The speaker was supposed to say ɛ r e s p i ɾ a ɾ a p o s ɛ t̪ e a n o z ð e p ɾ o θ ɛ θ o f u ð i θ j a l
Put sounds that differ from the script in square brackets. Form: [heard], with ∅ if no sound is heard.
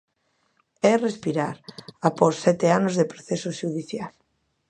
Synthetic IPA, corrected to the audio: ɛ r e s p i ɾ a ɾ a p o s ɛ t̪ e a n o z ð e p ɾ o θ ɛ [s] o [ʃ] u ð i θ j a l